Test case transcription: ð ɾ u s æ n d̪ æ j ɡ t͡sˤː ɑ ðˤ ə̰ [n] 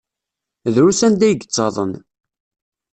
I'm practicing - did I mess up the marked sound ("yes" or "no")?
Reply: no